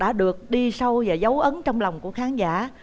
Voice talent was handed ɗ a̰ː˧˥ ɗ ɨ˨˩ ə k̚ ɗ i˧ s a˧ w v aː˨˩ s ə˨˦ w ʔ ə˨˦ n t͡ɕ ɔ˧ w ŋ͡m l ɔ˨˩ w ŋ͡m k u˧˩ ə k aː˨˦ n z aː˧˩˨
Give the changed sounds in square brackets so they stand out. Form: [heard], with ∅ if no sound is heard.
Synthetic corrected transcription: ɗ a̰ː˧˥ ɗ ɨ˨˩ ə k̚ ɗ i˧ s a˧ w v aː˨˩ [z] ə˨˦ w ʔ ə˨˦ n t͡ɕ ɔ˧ w ŋ͡m l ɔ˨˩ w ŋ͡m k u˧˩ ə [x] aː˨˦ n z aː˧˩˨